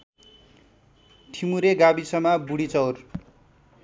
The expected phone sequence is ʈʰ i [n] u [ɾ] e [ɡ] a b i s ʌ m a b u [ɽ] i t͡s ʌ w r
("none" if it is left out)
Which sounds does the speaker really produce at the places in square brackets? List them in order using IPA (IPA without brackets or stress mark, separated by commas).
m, ɾ, ɡ, ɽ